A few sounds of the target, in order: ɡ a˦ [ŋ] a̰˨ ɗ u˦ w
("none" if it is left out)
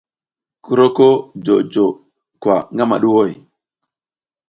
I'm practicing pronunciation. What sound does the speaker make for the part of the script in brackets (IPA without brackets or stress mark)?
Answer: m